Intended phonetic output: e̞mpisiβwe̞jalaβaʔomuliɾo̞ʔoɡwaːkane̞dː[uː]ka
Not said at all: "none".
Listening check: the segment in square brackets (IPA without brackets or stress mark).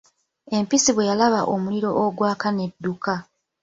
u